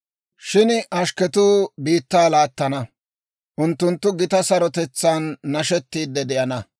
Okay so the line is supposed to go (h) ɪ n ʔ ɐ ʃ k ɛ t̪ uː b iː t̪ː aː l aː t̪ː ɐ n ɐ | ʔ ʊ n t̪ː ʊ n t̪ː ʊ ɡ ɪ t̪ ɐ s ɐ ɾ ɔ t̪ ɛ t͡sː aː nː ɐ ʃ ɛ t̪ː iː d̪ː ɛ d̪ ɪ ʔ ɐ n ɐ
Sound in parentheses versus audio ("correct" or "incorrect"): incorrect